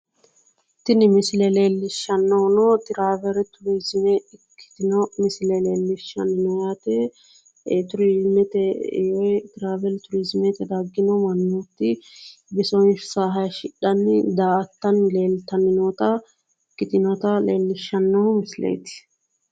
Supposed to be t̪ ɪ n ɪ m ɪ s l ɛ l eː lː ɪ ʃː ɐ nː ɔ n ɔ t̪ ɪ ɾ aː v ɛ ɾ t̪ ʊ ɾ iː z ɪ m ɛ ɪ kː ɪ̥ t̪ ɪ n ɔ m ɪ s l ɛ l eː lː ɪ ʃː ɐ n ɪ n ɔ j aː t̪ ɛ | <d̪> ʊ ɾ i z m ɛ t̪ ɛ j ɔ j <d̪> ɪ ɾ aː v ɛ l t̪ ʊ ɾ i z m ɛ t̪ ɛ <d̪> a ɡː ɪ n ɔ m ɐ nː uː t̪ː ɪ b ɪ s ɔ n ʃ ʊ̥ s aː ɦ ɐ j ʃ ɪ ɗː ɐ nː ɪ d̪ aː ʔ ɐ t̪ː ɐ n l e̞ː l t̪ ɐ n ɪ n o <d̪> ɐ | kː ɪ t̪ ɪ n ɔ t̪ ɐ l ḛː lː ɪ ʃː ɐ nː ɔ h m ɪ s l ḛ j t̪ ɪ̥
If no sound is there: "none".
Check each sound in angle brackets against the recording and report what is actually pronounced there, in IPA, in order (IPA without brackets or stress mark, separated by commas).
t̪, t̪, d̪, t̪